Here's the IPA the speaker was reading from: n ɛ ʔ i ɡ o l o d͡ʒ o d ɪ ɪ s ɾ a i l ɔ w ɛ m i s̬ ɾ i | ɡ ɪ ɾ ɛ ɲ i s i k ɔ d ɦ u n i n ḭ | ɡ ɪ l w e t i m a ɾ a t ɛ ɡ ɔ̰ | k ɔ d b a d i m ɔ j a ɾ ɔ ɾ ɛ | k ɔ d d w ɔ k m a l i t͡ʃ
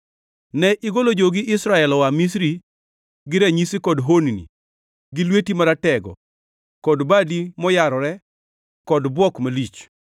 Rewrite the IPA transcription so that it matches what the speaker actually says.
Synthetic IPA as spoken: n ɛ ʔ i ɡ o l o d͡ʒ o ɡ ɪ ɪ s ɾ a ɛ l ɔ w a m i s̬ ɾ i | ɡ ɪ ɾ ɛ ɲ i s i k ɔ d ɦ o n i n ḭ | ɡ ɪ l w e t i m a ɾ a t ɛ ɡ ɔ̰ | k ɔ d b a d i m ɔ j a ɾ ɔ ɾ ɛ | k ɔ d b w ɔ k m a l i t͡ʃ